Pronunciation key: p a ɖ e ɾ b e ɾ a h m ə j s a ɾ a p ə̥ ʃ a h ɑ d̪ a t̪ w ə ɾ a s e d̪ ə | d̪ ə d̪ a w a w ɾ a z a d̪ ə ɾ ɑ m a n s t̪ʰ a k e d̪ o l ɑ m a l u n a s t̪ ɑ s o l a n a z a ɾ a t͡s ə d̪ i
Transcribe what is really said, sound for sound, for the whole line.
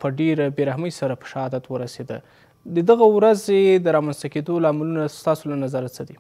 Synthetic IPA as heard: p ə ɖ e ɾ b e ɾ a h m ə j s a ɾ a p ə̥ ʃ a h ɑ d̪ a t̪ w ə ɾ a s e d̪ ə | d̪ ə d̪ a ɣ a w ɾ a z e d̪ ə ɾ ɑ m a n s t̪ a k e d̪ o l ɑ m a l u n a s t̪ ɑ s o l a n a z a ɾ a t͡s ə d̪ i